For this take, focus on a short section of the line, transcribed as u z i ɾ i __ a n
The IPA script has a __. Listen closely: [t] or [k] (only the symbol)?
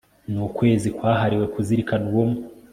k